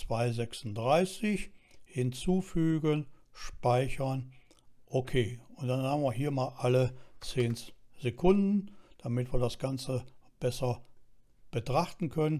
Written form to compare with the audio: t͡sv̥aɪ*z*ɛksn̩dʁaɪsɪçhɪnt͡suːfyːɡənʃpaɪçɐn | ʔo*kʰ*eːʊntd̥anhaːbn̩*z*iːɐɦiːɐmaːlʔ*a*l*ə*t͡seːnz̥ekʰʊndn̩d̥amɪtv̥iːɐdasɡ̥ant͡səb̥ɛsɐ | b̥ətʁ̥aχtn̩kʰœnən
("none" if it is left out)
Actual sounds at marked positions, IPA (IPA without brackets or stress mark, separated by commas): z, kʰ, v, a, ə